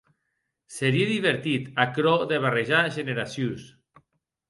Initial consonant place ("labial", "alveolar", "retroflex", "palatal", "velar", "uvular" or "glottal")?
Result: alveolar